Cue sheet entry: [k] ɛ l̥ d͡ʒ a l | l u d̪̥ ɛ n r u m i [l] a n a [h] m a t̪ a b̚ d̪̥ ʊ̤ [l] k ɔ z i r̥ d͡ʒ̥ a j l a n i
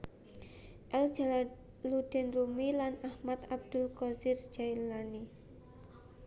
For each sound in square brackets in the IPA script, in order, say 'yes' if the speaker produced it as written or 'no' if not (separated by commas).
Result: no, yes, yes, yes